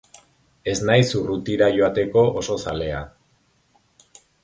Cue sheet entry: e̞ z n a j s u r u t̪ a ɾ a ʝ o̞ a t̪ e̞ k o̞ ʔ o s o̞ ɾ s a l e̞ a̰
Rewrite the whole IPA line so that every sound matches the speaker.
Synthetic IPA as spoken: e̞ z n a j s u r u t̪ i ɾ a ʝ o̞ a t̪ e̞ k o̞ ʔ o s o̞ s a l e̞ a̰